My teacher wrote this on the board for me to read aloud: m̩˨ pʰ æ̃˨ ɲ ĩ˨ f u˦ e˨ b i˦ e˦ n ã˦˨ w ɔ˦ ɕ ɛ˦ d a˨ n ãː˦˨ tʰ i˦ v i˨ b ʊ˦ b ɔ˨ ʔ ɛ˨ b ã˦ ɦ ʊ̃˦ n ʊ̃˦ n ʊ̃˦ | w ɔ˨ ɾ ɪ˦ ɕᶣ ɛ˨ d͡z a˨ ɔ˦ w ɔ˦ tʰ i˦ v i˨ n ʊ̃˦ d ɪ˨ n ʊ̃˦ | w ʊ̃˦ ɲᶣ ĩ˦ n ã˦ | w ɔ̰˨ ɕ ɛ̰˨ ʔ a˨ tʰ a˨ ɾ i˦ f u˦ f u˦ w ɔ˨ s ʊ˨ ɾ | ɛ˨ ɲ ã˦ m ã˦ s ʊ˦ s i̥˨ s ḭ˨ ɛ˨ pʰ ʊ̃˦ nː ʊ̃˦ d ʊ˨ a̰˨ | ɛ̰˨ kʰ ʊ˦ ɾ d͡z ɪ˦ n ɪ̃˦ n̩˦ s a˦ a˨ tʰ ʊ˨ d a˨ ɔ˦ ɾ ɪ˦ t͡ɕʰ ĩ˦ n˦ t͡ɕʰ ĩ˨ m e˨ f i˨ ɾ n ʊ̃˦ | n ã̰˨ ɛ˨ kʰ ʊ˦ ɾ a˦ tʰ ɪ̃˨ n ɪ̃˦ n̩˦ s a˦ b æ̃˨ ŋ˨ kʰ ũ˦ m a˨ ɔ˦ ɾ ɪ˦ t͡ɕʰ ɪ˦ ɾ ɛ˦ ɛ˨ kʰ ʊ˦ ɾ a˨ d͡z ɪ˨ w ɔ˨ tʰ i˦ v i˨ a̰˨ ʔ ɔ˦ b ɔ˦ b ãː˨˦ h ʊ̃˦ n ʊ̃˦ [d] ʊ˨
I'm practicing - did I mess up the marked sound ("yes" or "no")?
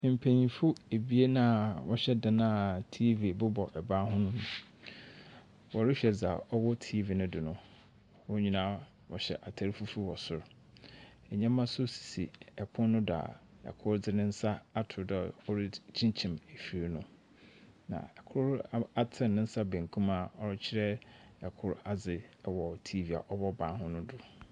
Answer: no